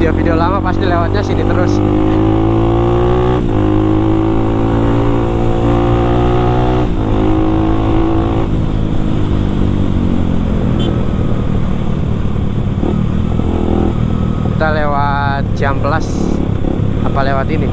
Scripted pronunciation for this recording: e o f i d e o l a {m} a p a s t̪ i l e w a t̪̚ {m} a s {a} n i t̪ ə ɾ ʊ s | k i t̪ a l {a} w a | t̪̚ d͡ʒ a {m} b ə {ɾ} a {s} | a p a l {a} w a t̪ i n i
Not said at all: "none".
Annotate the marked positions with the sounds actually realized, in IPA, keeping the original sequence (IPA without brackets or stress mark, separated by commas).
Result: m, ɲ, i, e, m, l, s, e